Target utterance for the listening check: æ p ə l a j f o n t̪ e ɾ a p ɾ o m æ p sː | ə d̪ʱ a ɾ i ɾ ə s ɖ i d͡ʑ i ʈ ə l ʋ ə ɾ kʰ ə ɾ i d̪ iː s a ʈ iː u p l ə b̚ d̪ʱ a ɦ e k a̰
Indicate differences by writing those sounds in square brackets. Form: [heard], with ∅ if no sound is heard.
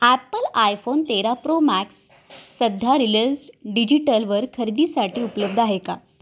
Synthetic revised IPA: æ p ə l a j f o n t̪ e ɾ a p ɾ o m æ [k] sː | ə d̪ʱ a ɾ i [l] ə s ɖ i d͡ʑ i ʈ ə l ʋ ə ɾ kʰ ə ɾ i d̪ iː s a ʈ iː u p l ə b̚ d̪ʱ a ɦ e k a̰

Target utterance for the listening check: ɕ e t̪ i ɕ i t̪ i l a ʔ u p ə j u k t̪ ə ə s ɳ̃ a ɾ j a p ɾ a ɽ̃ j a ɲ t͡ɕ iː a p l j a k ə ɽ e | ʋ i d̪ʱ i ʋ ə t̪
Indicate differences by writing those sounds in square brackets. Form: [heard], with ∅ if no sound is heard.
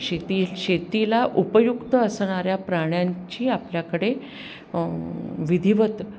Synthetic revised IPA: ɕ e t̪ i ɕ [e] t̪ i l a ʔ u p ə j u k t̪ ə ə s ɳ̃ a ɾ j a p ɾ a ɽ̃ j a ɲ t͡ɕ iː a p l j a k ə ɽ e | ʋ i d̪ʱ i ʋ ə t̪

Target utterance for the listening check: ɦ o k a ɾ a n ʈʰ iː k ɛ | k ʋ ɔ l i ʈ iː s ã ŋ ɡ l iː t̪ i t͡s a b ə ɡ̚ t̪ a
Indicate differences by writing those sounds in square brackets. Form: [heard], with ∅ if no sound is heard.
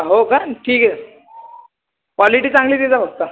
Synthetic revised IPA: ɦ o k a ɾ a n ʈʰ iː k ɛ | k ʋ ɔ l i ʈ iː [t͡s] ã ŋ ɡ l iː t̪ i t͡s a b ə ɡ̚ t̪ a

